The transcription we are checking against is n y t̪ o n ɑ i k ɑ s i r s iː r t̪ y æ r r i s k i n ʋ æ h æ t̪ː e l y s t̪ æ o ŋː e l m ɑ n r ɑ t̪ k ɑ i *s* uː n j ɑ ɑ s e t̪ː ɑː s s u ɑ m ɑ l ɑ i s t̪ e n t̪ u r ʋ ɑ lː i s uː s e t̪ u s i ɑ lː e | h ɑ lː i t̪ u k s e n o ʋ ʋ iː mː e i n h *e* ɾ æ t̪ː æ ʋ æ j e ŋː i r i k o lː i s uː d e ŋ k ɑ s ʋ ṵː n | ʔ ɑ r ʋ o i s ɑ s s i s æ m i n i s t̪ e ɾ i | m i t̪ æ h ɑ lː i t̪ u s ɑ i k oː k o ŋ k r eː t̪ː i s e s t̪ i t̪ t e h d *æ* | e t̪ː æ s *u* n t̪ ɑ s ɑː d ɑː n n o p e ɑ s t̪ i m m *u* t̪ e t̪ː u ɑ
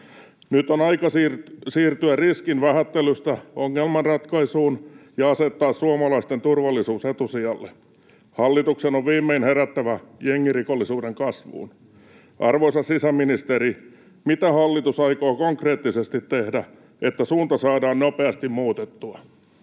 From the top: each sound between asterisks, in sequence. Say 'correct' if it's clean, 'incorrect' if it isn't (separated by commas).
correct, correct, correct, incorrect, incorrect